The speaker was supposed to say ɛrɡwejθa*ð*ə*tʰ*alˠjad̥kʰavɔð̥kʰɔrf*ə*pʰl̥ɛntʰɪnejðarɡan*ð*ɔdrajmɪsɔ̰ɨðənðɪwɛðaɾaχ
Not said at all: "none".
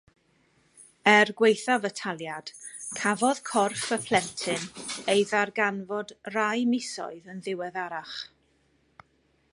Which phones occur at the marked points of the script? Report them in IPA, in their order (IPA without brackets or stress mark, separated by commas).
v, tʰ, ə, v